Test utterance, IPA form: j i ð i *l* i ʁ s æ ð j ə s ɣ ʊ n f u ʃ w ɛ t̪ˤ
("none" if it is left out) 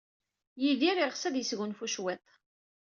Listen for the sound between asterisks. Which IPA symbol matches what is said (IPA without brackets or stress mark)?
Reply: ɾ